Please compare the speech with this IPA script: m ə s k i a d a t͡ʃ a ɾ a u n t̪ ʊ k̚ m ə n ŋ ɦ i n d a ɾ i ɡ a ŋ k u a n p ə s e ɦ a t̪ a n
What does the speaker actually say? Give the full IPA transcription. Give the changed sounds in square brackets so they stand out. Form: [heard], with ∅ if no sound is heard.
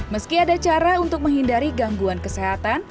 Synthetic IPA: m ə s k i a d a t͡ʃ a ɾ a u n t̪ ʊ k̚ m ə [∅] ŋ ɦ i n d a ɾ i ɡ a ŋ [ɡ] u a n [k] ə s e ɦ a t̪ a n